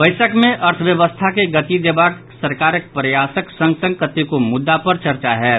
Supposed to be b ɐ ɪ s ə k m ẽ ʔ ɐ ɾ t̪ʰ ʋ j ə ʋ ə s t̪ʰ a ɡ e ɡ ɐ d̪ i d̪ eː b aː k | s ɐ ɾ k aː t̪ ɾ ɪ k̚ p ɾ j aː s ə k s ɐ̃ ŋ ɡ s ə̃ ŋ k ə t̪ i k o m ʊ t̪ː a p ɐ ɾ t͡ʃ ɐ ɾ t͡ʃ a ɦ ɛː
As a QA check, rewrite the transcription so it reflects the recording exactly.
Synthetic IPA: b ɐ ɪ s ə k m ẽ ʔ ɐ ɾ t̪ʰ ʋ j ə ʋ ə s t̪ʰ a k e ɡ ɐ t̪ i d̪ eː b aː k | s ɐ ɾ k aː ɾ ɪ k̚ p ɾ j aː s ə k s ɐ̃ ŋ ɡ s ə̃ ŋ k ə t̪ i k o m ʊ d̪ː a p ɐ ɾ t͡ʃ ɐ ɾ t͡ʃ a ɦ ɛː